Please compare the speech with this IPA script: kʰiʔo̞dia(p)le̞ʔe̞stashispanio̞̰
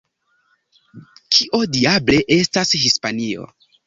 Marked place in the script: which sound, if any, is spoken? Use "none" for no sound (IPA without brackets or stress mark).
b